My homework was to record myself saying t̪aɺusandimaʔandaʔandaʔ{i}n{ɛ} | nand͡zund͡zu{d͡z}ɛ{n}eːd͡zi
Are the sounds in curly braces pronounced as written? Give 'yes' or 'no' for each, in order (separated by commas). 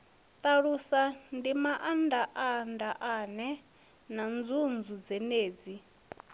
no, yes, yes, yes